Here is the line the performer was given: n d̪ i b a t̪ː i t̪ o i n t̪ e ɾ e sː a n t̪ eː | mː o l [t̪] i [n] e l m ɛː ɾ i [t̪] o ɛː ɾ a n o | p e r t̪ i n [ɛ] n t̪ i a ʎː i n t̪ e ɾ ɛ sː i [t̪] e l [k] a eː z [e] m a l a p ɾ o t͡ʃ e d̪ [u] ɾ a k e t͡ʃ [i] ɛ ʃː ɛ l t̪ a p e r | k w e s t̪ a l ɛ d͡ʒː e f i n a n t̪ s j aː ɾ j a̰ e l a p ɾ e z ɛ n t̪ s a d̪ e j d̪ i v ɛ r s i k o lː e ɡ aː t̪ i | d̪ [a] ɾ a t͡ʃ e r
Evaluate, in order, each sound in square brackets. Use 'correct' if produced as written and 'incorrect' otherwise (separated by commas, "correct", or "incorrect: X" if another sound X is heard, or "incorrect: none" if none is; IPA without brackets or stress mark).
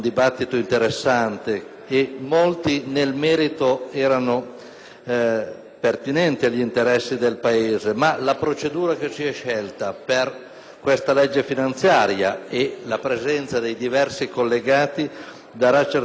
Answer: correct, correct, correct, correct, incorrect: d̪, incorrect: p, correct, incorrect: uː, correct, correct